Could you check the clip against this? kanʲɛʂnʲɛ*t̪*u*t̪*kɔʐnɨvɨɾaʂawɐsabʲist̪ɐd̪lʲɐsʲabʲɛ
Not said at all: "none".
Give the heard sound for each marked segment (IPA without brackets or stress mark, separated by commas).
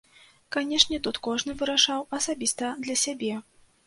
t̪, t̪